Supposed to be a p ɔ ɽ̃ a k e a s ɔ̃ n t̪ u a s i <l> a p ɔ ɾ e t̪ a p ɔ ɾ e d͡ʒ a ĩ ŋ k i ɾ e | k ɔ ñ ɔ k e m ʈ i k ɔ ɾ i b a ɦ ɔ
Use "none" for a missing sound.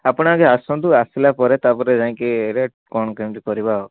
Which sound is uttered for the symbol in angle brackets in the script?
l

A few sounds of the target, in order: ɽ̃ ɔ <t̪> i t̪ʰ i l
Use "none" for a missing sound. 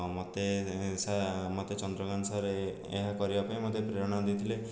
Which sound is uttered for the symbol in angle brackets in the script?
d̪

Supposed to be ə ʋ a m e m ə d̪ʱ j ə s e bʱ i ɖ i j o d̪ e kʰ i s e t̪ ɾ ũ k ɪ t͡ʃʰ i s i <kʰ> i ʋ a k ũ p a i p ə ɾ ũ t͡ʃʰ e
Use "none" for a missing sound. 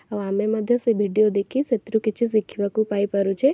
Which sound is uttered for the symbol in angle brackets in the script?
kʰ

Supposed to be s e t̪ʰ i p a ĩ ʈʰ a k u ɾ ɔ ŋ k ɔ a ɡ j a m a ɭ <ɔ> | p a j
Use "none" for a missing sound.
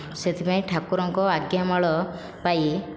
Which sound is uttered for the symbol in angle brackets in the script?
ɔ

